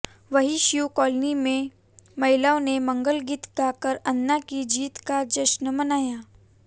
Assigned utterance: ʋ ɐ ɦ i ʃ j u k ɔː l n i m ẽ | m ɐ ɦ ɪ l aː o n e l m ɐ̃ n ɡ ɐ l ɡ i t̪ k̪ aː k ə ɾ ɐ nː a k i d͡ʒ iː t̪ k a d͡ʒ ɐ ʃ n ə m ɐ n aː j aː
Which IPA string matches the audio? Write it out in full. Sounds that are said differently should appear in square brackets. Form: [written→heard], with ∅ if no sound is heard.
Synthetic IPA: ʋ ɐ ɦ i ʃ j u k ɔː l n i m ẽ | m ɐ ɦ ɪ l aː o n e [l→∅] m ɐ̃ [n→ŋ] ɡ [ɐ→ə] l ɡ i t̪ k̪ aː k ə ɾ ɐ nː a k i d͡ʒ iː t̪ k a d͡ʒ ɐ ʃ n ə m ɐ n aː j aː